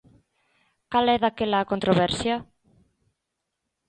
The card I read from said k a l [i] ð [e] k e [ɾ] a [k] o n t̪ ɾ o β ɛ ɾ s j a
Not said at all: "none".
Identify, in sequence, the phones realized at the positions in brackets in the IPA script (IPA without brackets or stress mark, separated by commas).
ɛ, a, l, k